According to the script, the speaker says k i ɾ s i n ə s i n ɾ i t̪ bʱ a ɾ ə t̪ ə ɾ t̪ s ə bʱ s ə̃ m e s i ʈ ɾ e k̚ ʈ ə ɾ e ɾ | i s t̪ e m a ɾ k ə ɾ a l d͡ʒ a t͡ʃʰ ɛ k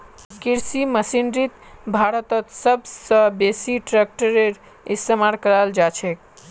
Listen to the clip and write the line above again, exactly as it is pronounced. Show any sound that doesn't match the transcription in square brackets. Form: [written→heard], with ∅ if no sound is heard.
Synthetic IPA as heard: k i ɾ s i [n→m] ə s i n ɾ i t̪ bʱ a ɾ ə t̪ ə [ɾ→∅] t̪ s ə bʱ s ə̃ [m→b] e s i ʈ ɾ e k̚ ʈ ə ɾ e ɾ | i s t̪ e m a ɾ k ə ɾ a l d͡ʒ a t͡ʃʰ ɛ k